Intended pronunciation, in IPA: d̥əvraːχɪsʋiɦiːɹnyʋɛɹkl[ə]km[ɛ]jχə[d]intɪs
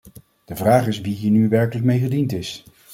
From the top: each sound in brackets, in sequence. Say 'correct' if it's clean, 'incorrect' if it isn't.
correct, incorrect: e, correct

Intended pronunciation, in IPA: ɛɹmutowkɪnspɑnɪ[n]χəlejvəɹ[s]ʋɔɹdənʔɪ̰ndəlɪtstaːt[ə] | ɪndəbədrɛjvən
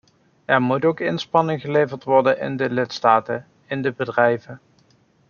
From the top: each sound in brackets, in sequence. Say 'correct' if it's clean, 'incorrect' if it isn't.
incorrect: ŋ, incorrect: t, correct

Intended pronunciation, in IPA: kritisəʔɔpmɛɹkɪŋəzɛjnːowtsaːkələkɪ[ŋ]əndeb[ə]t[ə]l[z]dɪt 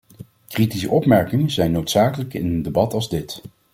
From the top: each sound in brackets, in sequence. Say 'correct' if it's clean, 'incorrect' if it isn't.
incorrect: n, incorrect: ɑ, incorrect: ɑ, correct

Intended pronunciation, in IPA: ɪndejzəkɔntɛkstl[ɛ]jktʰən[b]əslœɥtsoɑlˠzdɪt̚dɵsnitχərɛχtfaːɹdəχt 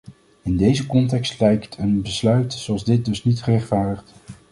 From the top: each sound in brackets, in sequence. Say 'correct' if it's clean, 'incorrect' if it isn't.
correct, correct

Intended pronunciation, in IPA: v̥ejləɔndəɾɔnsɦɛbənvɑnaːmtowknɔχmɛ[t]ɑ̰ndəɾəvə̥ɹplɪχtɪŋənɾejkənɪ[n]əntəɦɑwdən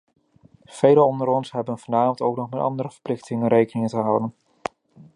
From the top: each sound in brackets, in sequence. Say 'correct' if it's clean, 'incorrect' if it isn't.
correct, incorrect: ŋ

